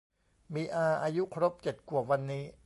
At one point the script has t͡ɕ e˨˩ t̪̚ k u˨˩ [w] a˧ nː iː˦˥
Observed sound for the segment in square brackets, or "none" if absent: w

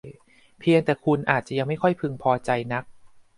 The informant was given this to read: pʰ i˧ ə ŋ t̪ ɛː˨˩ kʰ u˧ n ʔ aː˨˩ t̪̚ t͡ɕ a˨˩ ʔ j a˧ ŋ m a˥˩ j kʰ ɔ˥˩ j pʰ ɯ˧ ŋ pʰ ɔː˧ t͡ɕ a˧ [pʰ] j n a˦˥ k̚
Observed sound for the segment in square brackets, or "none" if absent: none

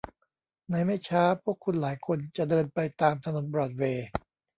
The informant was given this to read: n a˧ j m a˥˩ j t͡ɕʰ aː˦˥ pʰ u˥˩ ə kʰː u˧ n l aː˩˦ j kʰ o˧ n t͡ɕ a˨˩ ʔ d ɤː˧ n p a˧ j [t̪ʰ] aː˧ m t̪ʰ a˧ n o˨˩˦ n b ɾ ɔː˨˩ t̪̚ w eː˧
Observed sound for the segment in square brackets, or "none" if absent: t̪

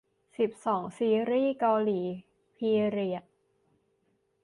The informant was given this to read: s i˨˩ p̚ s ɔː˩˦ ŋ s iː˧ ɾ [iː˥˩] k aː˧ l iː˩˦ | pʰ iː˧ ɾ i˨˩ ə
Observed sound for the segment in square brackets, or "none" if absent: iː˥˩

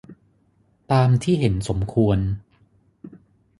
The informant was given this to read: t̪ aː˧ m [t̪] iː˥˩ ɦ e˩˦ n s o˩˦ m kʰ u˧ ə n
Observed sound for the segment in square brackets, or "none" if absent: t̪ʰ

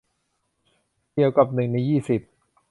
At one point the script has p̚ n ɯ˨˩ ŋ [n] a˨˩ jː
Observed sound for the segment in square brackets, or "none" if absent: n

